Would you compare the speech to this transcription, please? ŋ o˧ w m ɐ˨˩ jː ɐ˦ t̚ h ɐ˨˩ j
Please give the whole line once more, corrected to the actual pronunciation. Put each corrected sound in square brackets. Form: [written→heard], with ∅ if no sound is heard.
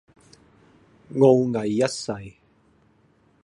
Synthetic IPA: ŋ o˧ w [m→ŋ] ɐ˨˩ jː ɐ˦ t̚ [h→s] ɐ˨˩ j